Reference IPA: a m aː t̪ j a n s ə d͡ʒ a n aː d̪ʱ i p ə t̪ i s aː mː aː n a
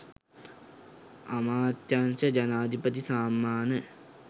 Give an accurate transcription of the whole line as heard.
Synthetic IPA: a m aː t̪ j a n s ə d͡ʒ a n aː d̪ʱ i p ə t̪ i s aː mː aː n ə